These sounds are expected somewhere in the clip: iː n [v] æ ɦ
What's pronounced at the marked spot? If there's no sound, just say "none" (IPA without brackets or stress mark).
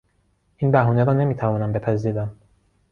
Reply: b